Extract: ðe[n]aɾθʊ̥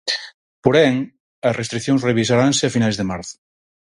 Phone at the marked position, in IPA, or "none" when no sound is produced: m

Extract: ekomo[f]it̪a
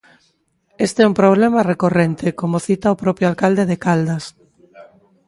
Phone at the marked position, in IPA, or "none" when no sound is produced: θ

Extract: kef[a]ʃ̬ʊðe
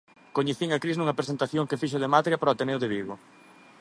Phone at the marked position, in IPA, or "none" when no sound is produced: i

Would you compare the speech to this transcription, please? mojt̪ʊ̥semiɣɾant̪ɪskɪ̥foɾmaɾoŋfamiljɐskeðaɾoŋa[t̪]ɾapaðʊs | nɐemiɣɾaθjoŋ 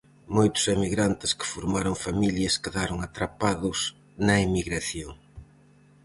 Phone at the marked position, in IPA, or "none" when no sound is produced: t̪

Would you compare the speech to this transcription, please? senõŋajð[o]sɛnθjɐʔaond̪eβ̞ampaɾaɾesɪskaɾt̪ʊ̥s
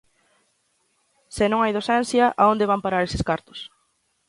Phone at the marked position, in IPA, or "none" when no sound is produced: o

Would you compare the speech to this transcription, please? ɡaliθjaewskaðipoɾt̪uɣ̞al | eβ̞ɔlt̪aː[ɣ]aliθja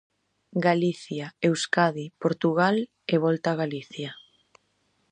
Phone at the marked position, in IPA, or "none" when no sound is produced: ɣ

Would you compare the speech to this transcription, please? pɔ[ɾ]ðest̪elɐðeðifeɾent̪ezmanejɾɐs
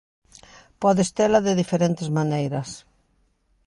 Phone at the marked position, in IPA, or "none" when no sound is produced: none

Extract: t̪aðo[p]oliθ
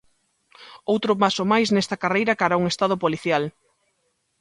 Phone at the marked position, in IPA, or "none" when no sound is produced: p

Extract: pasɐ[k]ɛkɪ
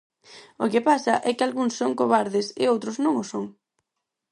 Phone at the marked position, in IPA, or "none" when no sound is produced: ʔ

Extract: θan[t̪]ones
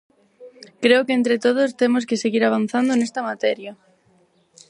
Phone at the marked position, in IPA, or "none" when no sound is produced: d̪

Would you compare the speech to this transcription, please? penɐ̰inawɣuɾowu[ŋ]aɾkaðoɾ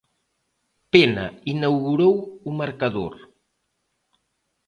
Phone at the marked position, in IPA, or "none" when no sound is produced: m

